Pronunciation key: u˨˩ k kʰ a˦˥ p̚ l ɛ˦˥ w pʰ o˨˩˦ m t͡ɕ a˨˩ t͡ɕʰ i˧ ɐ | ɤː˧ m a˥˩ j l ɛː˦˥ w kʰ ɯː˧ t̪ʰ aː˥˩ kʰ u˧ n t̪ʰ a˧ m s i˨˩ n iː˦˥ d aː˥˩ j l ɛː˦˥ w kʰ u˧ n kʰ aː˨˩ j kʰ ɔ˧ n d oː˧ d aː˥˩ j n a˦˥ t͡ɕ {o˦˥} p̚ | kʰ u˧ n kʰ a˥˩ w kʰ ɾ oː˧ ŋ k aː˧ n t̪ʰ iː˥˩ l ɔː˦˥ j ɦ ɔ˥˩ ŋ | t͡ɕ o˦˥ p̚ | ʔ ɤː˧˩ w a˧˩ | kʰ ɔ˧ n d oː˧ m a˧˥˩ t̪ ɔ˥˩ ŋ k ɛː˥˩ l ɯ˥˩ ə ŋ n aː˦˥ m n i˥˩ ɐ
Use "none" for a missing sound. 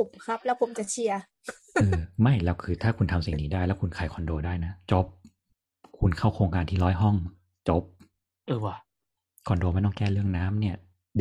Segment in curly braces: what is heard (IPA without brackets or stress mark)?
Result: o˦˥